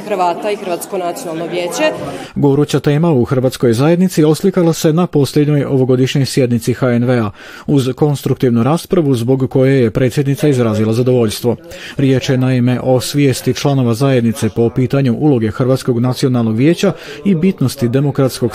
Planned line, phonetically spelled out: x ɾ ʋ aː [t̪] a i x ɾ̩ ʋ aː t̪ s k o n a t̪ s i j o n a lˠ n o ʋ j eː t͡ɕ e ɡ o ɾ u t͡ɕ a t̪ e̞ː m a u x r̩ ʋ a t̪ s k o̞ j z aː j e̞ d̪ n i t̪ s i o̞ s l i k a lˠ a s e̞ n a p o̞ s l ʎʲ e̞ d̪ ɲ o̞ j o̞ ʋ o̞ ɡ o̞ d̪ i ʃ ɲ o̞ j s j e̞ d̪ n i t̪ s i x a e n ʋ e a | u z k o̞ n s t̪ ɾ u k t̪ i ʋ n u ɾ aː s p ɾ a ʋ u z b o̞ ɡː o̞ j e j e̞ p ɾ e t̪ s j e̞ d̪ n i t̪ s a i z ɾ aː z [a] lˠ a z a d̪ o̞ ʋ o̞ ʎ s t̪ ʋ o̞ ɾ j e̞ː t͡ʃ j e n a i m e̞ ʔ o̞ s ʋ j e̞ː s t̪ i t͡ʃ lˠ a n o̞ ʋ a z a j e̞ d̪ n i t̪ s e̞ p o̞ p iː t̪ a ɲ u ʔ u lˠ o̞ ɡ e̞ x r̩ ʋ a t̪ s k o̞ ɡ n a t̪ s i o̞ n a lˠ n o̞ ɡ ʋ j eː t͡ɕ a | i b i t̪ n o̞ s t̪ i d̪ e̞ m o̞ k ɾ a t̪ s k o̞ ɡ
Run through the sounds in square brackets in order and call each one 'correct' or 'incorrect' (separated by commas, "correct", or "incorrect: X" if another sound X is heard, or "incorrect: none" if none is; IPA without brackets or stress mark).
correct, incorrect: i